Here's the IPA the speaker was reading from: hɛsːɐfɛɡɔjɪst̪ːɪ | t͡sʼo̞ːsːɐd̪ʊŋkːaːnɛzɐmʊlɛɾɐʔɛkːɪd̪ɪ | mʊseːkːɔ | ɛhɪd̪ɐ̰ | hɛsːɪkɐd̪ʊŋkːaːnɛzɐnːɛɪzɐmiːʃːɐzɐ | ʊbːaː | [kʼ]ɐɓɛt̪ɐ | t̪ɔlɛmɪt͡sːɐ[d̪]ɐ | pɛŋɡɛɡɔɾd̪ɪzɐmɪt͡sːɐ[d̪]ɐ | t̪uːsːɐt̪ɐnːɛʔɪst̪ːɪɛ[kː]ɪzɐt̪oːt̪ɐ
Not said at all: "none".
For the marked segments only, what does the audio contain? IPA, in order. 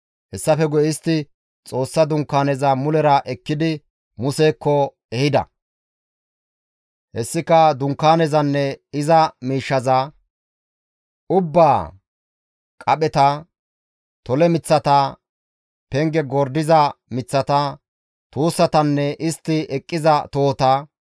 kʼ, t̪, t̪, kʼː

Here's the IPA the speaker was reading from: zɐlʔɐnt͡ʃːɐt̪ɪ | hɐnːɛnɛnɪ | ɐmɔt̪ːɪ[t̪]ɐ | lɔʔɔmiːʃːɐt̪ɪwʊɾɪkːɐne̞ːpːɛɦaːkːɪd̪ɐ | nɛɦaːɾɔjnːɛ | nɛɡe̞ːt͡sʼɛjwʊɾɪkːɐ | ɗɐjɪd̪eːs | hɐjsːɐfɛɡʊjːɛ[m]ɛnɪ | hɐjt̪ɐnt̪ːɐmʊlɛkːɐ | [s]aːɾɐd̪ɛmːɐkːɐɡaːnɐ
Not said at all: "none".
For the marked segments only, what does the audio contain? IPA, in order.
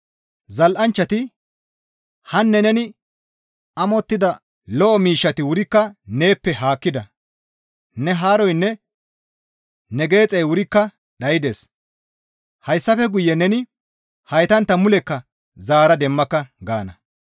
d̪, n, z

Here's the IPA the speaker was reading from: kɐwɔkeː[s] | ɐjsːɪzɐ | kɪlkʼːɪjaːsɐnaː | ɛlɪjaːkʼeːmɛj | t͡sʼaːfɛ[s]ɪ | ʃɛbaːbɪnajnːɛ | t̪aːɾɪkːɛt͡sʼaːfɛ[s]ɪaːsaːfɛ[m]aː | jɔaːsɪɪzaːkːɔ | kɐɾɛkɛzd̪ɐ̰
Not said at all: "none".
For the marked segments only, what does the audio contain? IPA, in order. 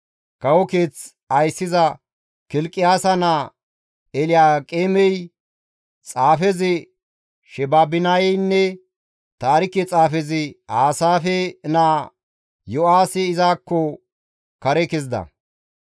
t͡s, z, z, n

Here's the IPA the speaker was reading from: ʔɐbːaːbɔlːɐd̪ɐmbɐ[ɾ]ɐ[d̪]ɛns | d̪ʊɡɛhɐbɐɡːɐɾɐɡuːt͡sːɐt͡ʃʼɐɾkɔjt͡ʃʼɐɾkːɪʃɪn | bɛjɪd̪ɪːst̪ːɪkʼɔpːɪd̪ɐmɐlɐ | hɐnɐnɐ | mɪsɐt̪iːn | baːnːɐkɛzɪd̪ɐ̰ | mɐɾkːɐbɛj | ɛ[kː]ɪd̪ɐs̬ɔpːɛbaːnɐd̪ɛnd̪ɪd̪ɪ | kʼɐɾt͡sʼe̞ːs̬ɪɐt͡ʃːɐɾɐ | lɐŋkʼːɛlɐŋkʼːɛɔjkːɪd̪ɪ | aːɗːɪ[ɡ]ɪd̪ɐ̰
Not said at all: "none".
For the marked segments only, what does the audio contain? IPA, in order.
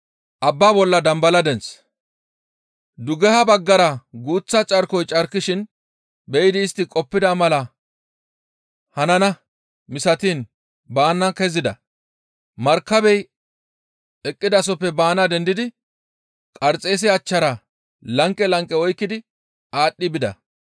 l, d̪, kʼː, b

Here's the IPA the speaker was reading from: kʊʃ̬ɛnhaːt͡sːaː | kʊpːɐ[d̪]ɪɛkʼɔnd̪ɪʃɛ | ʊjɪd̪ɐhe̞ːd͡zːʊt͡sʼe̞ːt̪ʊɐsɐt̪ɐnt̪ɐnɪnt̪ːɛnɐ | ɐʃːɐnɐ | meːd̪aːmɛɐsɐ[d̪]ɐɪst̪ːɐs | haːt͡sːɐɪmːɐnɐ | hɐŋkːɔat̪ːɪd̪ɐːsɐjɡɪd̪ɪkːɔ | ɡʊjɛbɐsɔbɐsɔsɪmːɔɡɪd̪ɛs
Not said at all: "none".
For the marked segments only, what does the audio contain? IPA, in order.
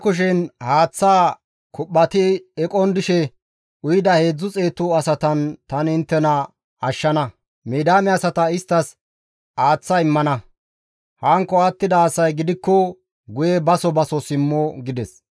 t̪, t̪

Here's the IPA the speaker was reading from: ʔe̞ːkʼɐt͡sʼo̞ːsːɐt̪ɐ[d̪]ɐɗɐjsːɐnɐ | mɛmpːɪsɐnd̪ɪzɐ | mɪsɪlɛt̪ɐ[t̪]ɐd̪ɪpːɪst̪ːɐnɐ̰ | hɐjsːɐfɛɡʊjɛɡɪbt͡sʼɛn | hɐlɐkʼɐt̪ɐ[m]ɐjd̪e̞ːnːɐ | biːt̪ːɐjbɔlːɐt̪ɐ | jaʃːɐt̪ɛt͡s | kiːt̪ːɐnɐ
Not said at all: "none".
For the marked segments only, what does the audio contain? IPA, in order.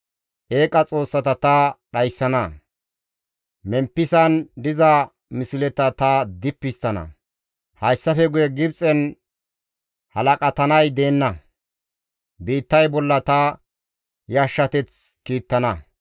t̪, t̪, n

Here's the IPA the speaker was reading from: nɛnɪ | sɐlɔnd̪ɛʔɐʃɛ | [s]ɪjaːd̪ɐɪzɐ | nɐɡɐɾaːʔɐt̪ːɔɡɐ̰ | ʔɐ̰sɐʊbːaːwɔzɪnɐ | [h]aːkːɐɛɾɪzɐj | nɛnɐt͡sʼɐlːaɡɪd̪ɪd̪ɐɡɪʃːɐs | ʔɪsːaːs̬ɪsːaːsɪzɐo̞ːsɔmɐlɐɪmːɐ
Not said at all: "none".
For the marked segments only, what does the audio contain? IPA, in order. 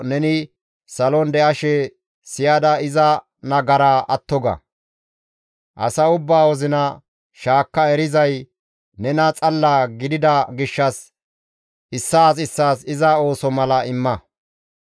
s, ʃ

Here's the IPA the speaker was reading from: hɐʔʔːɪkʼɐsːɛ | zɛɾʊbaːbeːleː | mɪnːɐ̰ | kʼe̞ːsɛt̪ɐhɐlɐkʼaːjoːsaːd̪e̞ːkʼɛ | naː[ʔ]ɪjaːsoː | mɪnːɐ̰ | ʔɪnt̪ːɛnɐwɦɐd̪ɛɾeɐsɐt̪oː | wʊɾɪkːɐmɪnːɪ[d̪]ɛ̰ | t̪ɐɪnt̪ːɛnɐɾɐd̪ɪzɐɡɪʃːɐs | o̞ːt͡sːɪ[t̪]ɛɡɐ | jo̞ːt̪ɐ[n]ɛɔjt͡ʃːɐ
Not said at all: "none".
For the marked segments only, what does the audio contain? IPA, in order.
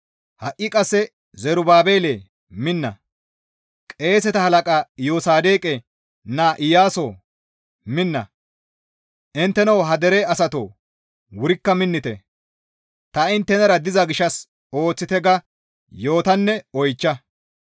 ʔ, t̪, t̪, nː

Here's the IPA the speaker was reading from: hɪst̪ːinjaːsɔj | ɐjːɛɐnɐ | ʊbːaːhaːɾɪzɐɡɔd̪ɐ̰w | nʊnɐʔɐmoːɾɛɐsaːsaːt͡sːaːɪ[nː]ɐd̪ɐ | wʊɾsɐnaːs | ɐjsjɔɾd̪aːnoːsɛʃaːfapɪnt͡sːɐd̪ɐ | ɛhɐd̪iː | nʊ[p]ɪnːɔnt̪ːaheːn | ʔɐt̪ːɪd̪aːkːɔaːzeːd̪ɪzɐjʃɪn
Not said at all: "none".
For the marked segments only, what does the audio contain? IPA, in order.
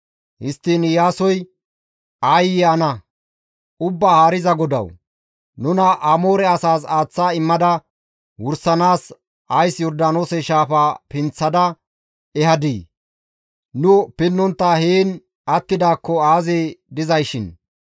mː, p

